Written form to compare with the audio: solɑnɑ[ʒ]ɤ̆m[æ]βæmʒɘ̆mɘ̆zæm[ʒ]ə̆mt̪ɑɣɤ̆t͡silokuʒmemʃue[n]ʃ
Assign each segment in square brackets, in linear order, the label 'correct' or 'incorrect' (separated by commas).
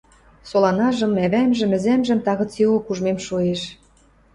correct, correct, correct, incorrect